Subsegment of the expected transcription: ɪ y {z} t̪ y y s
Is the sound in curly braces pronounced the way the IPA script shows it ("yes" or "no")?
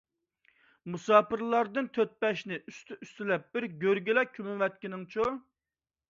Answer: no